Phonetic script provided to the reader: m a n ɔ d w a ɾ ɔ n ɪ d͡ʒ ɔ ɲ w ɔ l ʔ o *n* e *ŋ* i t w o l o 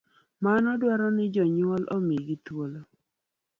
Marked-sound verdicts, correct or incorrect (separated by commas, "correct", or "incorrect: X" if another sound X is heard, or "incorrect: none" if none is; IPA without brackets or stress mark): incorrect: m, incorrect: ɡ